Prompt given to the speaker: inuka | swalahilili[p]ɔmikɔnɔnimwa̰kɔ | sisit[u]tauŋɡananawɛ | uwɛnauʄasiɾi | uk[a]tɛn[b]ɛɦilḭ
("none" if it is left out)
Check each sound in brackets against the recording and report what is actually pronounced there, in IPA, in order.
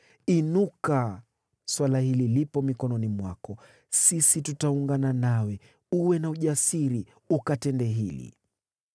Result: p, u, a, d

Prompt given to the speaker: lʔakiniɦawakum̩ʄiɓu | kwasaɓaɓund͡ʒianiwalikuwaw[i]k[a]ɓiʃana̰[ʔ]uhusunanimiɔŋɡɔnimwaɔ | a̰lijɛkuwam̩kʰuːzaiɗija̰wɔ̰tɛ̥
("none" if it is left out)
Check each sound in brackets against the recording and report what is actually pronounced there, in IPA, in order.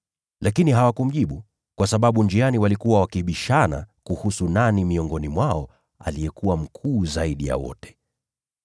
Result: a, i, k

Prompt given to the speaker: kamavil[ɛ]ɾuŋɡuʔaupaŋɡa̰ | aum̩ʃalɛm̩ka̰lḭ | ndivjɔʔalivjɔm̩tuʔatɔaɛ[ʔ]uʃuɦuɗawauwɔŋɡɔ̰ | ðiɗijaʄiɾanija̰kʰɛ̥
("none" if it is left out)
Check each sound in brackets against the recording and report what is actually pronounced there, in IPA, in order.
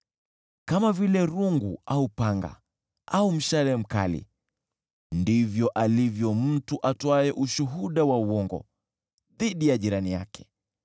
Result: ɛ, ʔ

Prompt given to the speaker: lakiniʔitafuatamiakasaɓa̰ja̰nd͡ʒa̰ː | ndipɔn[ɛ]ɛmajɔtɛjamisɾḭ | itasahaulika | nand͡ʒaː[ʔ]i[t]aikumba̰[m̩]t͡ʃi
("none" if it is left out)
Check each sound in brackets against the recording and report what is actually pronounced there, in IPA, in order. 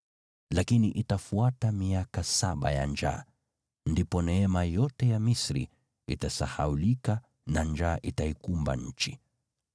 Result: ɛ, ʔ, t, ɲ̩

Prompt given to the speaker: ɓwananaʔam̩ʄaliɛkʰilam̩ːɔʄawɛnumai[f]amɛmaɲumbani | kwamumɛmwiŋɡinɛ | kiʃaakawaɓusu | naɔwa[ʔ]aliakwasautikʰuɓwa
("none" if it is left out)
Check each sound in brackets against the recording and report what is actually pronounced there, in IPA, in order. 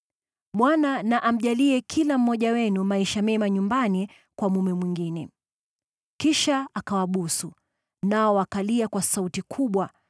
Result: ʃ, k

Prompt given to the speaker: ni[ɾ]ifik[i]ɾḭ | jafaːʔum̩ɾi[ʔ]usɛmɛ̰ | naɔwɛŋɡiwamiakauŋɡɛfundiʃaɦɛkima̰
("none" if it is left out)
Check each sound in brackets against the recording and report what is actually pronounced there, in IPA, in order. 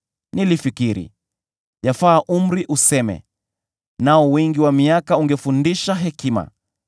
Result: l, i, ʔ

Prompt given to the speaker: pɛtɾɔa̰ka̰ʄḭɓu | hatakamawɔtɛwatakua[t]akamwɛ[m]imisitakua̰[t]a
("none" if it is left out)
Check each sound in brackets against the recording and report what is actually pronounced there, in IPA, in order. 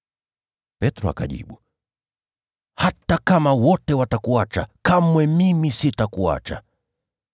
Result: t͡ʃ, m, t͡ʃ

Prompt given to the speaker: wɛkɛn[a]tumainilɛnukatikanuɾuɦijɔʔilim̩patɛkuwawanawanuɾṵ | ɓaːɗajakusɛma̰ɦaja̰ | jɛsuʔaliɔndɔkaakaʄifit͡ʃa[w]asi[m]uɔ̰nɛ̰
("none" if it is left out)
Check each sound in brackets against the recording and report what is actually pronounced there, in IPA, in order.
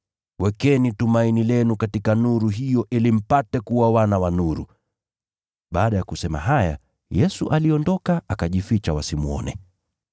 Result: i, w, m

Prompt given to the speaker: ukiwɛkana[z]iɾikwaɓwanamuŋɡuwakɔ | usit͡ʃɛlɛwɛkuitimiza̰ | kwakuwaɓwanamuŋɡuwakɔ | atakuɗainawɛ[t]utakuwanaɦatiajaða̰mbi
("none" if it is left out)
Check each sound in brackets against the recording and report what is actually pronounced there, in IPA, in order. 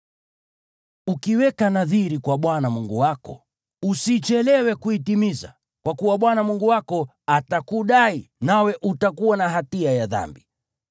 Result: ð, ʔ

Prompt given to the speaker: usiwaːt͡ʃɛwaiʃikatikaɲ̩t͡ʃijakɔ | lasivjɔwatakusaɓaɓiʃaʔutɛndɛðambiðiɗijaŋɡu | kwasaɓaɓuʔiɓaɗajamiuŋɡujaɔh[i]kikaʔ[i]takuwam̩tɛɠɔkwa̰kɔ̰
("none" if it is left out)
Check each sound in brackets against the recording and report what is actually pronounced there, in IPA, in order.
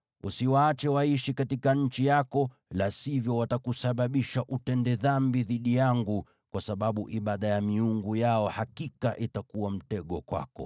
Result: a, i

